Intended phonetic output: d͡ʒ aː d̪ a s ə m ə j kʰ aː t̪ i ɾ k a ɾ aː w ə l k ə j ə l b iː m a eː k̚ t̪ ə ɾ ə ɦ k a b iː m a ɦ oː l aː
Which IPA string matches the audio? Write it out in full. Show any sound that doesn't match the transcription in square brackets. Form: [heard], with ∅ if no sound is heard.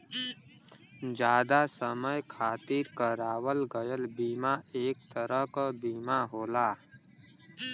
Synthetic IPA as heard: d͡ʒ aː d̪ a s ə m ə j kʰ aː t̪ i ɾ k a ɾ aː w ə l [ɡ] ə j ə l b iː m a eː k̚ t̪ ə ɾ ə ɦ k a b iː m a ɦ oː l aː

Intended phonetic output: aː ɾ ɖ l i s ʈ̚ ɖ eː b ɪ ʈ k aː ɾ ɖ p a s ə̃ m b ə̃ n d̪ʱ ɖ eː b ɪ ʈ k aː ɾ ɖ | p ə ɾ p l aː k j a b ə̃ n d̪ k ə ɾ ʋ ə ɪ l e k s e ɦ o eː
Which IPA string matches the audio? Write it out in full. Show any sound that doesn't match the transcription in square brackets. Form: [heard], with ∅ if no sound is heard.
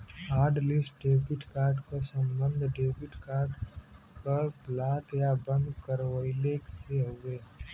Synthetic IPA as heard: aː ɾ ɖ l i s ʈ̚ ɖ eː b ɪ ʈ k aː ɾ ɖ [k] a s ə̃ m b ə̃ n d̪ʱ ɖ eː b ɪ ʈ k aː ɾ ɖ | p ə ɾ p l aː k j a b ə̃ n d̪ k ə ɾ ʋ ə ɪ l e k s e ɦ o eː

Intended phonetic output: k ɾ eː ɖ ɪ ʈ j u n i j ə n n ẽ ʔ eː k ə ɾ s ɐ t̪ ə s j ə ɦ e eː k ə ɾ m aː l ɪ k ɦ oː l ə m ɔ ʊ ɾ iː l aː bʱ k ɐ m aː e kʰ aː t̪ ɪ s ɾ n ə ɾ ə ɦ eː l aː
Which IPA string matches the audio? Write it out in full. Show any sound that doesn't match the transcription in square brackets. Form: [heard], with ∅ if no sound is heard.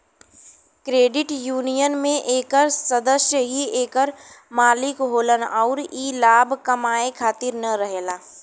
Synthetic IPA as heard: k ɾ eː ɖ ɪ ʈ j [uː] n i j ə n [m] ẽ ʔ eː k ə ɾ s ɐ [d̪] ə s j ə ɦ [i] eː k ə ɾ m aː l ɪ k ɦ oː l ə [n] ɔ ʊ ɾ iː l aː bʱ k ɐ m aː e kʰ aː t̪ ɪ [∅] ɾ n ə ɾ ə ɦ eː l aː

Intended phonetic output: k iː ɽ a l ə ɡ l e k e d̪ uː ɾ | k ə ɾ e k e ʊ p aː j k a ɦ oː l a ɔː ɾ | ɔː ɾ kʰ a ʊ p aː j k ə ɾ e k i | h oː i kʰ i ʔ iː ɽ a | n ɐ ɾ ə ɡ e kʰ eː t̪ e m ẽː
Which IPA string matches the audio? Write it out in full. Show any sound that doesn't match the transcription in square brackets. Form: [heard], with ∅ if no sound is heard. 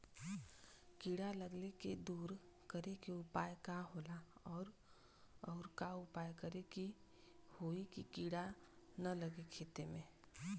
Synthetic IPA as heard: k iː ɽ a l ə ɡ l e k e d̪ uː ɾ | k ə ɾ e k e ʊ p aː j k a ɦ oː l a ɔː ɾ | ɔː ɾ [k] a ʊ p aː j k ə ɾ e k i | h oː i [k] i [k] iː ɽ a | n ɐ [l] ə ɡ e kʰ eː t̪ e m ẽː

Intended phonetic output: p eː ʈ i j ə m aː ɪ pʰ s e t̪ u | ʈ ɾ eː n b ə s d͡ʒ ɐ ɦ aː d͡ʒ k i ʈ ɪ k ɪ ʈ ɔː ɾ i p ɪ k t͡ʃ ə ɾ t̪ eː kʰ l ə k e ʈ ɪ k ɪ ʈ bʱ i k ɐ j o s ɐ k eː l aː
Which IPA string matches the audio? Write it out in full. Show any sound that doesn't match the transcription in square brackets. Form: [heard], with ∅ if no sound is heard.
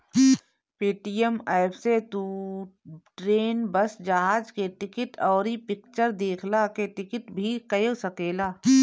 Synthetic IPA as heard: p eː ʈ i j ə m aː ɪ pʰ s e t̪ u | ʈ ɾ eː n b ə s d͡ʒ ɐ ɦ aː d͡ʒ k [e] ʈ ɪ k ɪ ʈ ɔː ɾ i p ɪ k t͡ʃ ə ɾ [d̪] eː kʰ l [a] k e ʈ ɪ k ɪ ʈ bʱ i k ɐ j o s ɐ k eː l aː

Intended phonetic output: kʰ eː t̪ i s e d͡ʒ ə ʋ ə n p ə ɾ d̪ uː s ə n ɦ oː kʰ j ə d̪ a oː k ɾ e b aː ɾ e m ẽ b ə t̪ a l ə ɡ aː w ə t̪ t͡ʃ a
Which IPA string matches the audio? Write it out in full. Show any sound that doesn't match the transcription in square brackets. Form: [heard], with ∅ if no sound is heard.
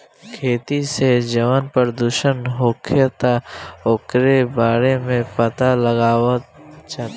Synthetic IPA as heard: kʰ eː t̪ i s e d͡ʒ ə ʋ ə n p ə ɾ d̪ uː [ʃ] ə n ɦ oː kʰ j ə [t̪] a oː k ɾ e b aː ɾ e m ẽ [p] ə t̪ a l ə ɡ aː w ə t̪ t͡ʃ a

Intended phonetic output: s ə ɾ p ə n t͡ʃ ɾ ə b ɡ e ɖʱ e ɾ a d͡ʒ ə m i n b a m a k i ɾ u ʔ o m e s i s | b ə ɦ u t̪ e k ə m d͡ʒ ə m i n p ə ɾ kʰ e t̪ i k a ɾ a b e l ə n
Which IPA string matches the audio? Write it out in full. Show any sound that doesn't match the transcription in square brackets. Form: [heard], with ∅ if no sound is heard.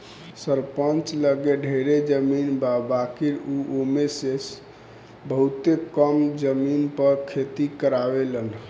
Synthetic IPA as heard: s ə ɾ p ə n t͡ʃ [l] ə [∅] ɡ e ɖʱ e ɾ [e] d͡ʒ ə m i n b a [b] a k i ɾ u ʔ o m e s [e] s | b ə ɦ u t̪ e k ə m d͡ʒ ə m i n p ə ɾ kʰ e t̪ i k [ə] ɾ a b e l ə n

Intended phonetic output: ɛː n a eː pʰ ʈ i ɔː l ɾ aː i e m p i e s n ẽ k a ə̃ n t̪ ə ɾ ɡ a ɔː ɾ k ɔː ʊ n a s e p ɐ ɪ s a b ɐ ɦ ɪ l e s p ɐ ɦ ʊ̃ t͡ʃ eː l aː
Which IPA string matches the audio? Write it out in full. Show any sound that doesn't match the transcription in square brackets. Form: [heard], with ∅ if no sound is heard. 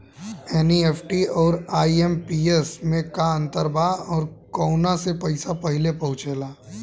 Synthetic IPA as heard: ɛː n [i] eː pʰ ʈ i ɔː [∅] ɾ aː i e m p i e s [m] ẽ k a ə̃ n t̪ ə ɾ [b] a ɔː ɾ k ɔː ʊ n a s e p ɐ ɪ s a [p] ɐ ɦ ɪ l e [∅] p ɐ ɦ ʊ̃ t͡ʃ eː l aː

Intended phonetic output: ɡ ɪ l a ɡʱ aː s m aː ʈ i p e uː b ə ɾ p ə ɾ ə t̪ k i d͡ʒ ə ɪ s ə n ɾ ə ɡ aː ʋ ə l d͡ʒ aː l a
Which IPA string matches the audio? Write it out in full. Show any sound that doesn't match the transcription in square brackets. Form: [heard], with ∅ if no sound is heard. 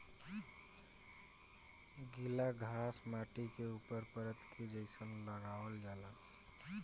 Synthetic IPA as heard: ɡ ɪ l a ɡʱ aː s m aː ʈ i [k] e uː [p] ə ɾ p ə ɾ ə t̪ k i d͡ʒ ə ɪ s ə n [l] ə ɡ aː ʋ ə l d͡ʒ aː l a

